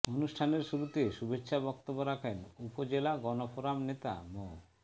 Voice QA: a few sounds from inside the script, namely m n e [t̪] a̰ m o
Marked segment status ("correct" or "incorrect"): correct